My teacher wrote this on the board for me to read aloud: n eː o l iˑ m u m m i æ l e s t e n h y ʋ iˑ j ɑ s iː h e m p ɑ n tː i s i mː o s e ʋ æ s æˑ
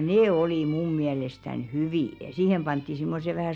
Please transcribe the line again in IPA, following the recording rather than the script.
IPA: n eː o l iˑ m u m m i æ l e s t æ n h y ʋ iˑ j ɑ s iː h e m p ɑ n tː i s i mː o s e ʋ æ h æˑ